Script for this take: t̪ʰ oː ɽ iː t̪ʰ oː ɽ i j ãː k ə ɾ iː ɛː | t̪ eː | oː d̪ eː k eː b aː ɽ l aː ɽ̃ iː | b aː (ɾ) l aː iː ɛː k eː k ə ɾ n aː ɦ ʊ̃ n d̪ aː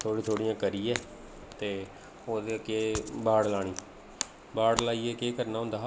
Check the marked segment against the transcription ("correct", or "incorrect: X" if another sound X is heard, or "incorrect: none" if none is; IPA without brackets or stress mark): incorrect: ɽ